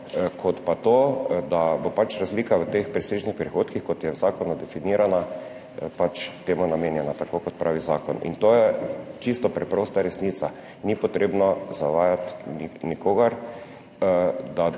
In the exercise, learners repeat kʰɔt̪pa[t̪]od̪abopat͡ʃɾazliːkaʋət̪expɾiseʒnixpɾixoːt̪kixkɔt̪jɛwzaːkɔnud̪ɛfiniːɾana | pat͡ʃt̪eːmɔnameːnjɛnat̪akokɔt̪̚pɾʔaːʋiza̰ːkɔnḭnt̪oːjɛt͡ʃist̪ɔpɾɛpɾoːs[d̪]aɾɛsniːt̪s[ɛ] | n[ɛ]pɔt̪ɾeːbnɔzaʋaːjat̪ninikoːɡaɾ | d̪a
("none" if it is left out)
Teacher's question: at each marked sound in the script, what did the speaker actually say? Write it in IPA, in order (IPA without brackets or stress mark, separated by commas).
t̪, t̪, a, i